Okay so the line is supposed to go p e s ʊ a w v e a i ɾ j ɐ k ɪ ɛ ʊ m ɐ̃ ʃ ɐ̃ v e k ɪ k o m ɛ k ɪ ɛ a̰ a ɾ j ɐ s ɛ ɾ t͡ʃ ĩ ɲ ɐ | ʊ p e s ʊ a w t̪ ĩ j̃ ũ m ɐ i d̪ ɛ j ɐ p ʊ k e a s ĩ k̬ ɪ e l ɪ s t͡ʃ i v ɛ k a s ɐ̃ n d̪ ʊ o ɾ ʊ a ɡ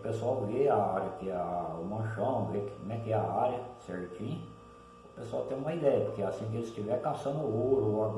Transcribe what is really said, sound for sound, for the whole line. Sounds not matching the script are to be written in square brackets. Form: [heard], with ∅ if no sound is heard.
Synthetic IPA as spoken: p e s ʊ a w v e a [a] ɾ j ɐ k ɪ ɛ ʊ m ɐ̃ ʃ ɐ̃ v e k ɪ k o m ɛ k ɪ ɛ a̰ a ɾ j ɐ s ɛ ɾ t͡ʃ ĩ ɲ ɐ | ʊ p e s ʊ a w t̪ [ẽ] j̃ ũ m ɐ i d̪ ɛ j ɐ p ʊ k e a s ĩ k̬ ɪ e l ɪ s t͡ʃ i v ɛ k a s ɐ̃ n d̪ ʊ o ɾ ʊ a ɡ